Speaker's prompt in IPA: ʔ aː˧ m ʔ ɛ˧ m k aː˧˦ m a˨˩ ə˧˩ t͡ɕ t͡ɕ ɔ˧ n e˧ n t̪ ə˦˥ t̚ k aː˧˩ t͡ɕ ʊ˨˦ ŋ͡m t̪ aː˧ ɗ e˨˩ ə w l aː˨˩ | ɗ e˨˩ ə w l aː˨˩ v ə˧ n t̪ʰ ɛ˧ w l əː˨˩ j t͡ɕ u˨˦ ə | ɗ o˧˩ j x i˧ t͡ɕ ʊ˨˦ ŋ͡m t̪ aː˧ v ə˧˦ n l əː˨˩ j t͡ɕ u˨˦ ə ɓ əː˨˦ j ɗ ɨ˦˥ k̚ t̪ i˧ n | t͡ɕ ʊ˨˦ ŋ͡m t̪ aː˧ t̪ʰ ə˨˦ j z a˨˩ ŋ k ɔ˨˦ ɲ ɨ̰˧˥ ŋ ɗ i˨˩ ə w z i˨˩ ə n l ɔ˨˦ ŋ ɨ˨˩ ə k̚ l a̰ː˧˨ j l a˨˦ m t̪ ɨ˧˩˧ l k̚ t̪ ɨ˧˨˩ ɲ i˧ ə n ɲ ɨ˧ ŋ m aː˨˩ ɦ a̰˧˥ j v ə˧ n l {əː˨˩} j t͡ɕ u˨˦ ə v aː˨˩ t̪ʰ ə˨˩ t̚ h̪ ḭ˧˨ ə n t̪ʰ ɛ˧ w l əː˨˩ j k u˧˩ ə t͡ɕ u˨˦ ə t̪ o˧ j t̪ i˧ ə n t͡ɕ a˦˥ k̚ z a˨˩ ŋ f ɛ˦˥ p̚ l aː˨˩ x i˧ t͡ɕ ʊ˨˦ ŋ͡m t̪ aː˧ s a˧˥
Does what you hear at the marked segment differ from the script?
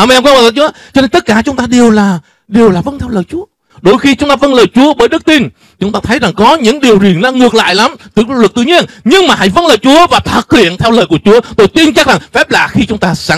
no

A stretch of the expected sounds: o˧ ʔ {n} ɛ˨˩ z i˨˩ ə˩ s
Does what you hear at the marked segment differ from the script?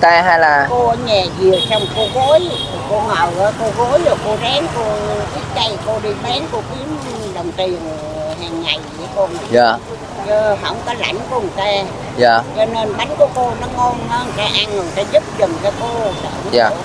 yes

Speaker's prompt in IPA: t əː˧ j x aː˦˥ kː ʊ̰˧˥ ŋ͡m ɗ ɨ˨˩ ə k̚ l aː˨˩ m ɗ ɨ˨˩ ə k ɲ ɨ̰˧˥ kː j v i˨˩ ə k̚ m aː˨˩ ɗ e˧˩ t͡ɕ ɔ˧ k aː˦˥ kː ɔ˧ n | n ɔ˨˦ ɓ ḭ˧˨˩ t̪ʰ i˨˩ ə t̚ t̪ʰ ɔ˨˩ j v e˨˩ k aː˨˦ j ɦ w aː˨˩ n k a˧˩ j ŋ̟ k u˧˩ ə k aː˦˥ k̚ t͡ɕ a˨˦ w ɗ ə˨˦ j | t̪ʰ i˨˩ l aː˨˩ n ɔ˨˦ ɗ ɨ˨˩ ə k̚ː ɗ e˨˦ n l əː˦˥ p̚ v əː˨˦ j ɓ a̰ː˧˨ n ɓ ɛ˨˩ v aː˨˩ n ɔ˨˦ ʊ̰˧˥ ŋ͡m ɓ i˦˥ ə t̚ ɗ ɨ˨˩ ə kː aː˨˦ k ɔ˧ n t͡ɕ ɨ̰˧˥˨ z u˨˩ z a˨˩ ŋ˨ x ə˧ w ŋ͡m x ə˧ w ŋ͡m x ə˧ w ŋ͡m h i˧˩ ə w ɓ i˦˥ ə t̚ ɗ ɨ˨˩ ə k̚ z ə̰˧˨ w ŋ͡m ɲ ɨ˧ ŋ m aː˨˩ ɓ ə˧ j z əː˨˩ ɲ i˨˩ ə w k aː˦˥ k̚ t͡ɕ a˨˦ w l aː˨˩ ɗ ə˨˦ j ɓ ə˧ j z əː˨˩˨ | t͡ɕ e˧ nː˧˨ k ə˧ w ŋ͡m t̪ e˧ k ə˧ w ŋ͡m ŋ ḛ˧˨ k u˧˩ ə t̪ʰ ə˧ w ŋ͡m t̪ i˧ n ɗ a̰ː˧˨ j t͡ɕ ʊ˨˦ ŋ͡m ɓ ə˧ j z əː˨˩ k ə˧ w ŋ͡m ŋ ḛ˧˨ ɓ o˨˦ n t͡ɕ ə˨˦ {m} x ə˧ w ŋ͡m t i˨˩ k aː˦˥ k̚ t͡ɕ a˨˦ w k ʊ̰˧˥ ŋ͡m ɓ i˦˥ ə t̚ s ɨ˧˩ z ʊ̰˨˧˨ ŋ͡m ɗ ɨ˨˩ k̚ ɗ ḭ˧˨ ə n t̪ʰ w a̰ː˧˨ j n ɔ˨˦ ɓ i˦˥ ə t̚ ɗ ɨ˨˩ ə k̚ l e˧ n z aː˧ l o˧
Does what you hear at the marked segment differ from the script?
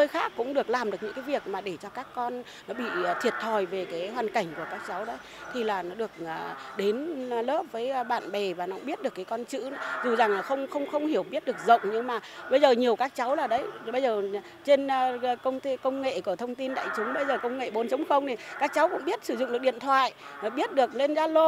yes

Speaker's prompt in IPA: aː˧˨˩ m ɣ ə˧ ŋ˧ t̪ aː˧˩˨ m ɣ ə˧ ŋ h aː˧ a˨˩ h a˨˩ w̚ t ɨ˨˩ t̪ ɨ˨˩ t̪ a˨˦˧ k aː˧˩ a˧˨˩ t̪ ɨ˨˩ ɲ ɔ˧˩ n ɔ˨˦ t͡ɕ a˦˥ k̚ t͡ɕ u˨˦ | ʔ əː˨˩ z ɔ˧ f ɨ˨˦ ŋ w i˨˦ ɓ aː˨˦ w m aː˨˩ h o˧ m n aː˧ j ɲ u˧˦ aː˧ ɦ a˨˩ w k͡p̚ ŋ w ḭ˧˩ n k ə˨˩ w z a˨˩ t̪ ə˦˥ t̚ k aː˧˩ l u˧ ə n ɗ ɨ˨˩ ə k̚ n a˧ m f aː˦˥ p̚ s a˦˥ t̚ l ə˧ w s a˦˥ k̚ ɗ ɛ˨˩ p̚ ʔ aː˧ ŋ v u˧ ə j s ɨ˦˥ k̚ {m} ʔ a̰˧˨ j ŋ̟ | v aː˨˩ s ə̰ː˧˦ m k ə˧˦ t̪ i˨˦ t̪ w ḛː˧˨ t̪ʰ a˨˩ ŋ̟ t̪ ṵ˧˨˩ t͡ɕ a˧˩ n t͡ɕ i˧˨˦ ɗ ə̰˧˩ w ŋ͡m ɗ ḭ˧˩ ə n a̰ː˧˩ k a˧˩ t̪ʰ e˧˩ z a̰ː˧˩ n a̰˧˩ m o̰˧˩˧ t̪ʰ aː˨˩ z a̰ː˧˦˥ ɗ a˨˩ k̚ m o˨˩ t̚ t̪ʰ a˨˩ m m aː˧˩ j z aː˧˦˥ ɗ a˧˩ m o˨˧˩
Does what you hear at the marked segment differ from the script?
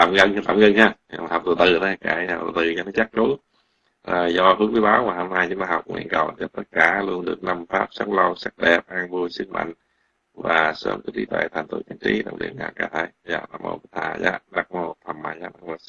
no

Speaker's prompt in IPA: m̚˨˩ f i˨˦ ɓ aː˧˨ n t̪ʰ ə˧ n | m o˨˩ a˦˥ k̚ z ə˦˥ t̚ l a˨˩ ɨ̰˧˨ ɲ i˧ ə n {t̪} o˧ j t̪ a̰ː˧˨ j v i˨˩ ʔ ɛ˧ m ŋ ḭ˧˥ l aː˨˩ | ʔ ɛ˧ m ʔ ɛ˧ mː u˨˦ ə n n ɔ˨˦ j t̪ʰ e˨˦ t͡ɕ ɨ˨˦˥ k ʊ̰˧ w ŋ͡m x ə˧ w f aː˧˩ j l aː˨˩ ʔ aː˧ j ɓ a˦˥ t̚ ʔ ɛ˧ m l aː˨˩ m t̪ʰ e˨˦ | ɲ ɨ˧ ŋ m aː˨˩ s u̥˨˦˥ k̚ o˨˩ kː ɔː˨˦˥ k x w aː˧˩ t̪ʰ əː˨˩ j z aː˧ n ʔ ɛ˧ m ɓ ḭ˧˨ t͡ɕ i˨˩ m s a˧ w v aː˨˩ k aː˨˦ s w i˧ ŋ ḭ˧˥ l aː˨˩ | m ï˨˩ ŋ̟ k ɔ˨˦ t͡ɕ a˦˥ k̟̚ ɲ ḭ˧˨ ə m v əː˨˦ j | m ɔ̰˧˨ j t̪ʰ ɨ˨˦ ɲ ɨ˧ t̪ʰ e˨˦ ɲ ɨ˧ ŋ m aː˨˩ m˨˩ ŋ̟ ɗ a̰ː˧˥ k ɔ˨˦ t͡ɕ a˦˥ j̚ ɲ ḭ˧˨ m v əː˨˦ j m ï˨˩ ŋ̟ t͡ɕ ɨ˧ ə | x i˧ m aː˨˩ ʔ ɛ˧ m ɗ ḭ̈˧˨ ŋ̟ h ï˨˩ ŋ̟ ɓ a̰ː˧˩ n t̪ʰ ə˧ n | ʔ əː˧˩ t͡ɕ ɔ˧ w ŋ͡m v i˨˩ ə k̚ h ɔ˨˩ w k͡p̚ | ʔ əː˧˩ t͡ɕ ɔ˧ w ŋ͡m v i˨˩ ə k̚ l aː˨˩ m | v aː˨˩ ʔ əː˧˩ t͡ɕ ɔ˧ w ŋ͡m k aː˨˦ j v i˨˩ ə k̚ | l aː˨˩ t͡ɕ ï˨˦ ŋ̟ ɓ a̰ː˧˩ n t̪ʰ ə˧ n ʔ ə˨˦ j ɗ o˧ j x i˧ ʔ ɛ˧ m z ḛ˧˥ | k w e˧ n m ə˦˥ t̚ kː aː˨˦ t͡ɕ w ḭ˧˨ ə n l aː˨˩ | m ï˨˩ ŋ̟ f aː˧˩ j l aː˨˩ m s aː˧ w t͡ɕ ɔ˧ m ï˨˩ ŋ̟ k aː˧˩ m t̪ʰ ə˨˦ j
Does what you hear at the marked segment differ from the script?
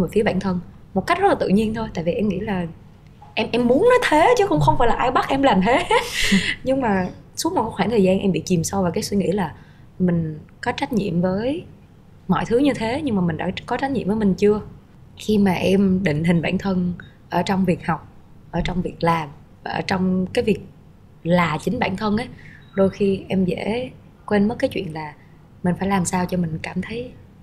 yes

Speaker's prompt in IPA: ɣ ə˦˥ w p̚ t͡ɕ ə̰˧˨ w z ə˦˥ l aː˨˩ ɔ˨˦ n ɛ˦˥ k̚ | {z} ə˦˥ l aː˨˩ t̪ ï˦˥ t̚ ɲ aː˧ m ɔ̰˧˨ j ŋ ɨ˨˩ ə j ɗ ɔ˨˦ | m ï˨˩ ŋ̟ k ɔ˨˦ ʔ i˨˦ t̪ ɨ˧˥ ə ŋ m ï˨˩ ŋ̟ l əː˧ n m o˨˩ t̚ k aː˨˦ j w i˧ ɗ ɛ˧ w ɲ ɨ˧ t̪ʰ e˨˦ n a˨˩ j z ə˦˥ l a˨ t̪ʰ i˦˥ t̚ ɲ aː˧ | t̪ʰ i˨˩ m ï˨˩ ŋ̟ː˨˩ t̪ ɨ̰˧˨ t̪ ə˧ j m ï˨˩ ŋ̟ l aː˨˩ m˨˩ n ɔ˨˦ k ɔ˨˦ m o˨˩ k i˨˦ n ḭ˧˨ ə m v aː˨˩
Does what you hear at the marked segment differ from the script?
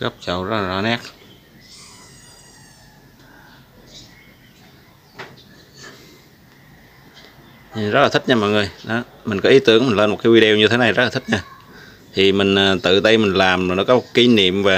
no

